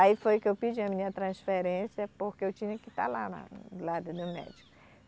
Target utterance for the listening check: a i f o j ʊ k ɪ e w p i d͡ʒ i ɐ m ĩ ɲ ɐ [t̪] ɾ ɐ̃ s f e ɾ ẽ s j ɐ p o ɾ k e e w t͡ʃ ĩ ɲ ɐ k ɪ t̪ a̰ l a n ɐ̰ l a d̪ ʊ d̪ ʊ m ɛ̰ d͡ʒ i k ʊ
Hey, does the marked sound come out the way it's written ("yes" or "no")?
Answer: yes